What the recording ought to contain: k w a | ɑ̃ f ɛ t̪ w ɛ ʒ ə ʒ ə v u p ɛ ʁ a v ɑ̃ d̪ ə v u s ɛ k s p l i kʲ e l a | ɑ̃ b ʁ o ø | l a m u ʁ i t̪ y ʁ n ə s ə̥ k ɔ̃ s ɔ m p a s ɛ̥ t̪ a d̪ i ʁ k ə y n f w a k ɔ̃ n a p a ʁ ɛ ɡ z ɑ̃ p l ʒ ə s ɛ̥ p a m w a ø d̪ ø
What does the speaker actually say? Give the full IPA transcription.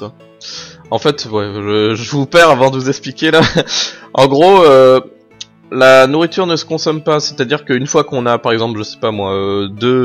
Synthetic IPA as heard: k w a | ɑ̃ f ɛ t̪ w ɛ ʒ ə ʒ ə v u p ɛ ʁ a v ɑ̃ d̪ ə v u z ɛ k s p l i kʲ e l a | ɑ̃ ɡ ʁ o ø | l a n u ʁ i t̪ y ʁ n ə s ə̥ k ɔ̃ s ɔ m p a s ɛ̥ t̪ a d̪ i ʁ k ə y n f w a k ɔ̃ n a p a ʁ ɛ ɡ z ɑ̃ p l ʒ ə s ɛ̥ p a m w a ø d̪ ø